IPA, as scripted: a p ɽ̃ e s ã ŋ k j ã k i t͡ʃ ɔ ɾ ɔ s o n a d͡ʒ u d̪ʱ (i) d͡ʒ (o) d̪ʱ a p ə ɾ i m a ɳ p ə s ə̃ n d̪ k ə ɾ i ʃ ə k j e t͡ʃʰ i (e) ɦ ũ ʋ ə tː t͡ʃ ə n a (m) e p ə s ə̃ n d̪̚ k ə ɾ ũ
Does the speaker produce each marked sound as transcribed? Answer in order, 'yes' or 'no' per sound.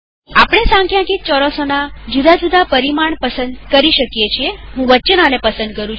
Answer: no, no, yes, no

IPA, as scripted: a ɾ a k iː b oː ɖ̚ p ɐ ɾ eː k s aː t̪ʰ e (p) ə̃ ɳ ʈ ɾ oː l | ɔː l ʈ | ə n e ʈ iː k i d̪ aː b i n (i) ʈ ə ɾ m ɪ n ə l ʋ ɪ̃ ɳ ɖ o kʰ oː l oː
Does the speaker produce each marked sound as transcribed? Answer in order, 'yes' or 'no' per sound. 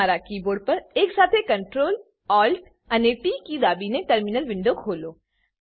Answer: no, no

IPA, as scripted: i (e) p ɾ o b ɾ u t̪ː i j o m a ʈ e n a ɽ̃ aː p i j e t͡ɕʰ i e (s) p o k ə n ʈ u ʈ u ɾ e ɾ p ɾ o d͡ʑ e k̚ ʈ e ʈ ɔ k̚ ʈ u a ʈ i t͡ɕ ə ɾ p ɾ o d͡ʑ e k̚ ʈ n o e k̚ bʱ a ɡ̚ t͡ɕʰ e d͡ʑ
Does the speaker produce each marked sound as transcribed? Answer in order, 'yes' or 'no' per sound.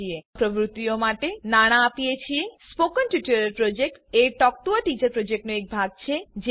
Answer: yes, yes

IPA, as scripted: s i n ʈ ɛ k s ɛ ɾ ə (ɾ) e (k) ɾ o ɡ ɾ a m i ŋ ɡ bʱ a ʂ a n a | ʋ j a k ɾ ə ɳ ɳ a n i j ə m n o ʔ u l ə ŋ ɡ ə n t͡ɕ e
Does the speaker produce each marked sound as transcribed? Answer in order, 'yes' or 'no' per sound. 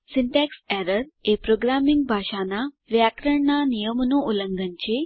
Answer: yes, no

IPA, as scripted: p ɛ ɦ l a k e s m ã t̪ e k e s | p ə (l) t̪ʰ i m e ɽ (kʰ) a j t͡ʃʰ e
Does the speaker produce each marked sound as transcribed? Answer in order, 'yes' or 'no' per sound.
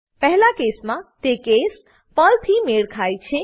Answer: yes, yes

